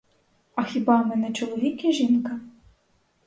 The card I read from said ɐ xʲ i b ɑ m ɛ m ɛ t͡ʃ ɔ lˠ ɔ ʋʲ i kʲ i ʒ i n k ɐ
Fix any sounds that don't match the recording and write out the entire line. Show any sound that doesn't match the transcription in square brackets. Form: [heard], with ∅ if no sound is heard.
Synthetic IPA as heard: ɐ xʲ i b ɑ m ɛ [n] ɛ t͡ʃ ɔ lˠ ɔ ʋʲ i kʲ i ʒ i n k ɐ